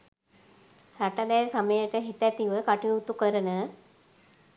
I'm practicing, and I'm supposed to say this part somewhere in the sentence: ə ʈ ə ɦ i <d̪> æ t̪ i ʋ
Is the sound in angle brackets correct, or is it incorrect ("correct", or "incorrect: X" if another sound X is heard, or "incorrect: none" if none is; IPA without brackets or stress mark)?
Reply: incorrect: t̪